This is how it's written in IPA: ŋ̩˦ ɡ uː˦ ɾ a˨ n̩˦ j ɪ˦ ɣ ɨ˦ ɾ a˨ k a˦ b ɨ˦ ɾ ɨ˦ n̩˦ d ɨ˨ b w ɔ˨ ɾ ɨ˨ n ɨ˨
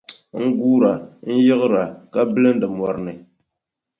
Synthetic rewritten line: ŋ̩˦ ɡ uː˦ ɾ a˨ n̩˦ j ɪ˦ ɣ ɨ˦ ɾ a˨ k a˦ b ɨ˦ l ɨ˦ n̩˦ d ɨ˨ m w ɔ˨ ɾ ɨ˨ n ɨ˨